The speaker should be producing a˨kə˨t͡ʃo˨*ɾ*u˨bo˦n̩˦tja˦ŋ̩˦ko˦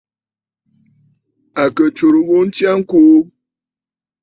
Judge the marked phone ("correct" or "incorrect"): correct